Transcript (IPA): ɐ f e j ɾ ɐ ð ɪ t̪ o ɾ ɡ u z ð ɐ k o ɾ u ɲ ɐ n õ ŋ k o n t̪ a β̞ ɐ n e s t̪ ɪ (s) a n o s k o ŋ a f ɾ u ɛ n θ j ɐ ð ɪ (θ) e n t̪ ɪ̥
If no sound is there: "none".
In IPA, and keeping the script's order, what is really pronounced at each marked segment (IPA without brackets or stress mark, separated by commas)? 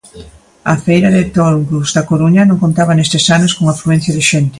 s, ʃ